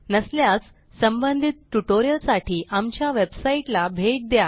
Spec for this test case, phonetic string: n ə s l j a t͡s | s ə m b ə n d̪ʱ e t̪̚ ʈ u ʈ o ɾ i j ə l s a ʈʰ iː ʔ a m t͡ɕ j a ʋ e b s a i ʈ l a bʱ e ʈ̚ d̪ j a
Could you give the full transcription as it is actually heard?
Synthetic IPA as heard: n ə s l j a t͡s | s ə m b ə n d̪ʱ i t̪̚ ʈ u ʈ o ɾ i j ə l s a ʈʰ iː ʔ a m t͡ɕ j a ʋ e b s a i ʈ l a bʱ e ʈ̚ d̪ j a